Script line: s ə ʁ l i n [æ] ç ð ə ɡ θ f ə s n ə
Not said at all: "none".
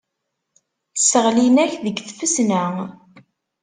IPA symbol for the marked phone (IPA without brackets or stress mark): æ